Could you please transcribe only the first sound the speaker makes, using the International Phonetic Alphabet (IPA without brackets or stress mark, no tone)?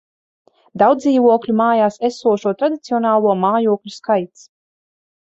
d̪